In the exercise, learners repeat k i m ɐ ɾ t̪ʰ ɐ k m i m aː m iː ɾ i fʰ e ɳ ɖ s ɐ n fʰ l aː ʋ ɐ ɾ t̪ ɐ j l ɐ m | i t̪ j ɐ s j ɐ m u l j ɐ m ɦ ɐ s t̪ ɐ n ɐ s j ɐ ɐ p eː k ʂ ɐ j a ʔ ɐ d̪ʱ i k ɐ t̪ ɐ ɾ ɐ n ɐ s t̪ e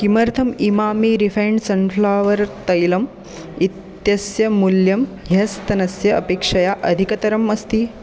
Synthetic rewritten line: k i m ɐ ɾ t̪ʰ ɐ m i m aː m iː ɾ i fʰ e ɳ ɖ s ɐ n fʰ l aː ʋ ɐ ɾ t̪ ɐ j l ɐ m | i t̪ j ɐ s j ɐ m u l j ɐ m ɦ ɐ s t̪ ɐ n ɐ s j ɐ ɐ p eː k ʂ ɐ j a ʔ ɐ d̪ʱ i k ɐ t̪ ɐ ɾ ɐ m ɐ s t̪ i